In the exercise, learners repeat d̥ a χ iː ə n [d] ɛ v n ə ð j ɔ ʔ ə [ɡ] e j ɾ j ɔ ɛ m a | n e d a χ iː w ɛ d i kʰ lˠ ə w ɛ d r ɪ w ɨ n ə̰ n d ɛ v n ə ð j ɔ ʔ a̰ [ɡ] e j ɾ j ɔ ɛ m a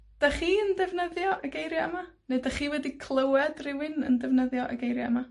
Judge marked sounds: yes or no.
yes, yes, yes

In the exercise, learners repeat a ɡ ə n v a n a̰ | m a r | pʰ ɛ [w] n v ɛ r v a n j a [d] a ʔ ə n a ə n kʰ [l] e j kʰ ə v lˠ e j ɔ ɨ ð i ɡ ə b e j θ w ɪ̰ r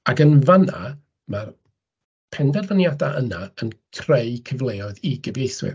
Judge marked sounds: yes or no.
no, yes, no

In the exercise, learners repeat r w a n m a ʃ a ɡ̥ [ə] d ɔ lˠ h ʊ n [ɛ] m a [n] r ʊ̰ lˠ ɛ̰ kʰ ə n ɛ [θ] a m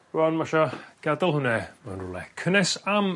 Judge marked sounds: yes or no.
no, yes, yes, no

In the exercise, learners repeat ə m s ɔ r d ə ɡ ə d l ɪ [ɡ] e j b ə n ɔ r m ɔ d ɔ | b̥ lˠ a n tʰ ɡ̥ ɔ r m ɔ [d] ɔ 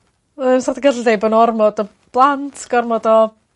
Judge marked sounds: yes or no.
no, yes

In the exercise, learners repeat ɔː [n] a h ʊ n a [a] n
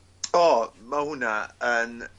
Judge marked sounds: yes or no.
no, no

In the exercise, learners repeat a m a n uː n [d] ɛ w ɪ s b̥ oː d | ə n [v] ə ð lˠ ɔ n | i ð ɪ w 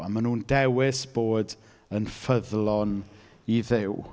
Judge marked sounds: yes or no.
yes, no

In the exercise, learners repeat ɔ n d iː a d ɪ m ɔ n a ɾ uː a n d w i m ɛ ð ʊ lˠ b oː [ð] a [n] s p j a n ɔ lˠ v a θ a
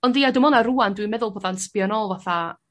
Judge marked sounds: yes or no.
yes, yes

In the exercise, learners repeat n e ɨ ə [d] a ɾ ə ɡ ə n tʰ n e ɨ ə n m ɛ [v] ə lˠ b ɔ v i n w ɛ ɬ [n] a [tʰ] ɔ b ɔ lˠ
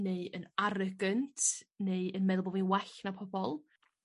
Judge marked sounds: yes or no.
no, no, yes, no

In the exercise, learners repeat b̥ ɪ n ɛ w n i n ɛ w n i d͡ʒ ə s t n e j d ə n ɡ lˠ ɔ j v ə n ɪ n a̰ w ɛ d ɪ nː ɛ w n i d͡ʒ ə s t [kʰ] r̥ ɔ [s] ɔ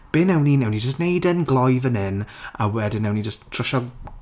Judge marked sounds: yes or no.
no, no

